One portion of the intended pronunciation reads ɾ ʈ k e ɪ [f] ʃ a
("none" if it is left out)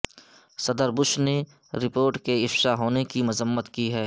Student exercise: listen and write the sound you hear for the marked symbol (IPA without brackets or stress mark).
f